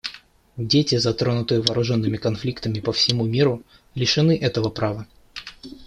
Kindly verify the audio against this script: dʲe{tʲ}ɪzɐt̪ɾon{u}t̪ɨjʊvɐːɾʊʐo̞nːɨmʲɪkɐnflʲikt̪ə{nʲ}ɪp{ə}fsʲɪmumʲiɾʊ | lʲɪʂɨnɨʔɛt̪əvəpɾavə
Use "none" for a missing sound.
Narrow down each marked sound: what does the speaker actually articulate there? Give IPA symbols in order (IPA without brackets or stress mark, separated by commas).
tʲ, ʊ, mʲ, ə